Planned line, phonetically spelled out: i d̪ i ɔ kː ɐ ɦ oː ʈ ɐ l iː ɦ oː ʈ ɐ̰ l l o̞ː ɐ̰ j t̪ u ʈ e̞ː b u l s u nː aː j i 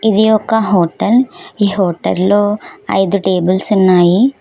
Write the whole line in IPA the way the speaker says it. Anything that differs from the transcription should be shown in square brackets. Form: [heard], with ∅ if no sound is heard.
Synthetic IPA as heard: i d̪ i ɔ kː ɐ ɦ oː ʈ ɐ l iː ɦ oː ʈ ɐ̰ l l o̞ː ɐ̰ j [d̪] u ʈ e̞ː b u l s u nː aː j i